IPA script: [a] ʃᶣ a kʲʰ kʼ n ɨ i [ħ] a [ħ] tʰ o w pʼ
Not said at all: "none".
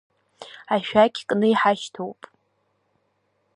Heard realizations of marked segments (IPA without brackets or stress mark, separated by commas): a, ħ, ʃ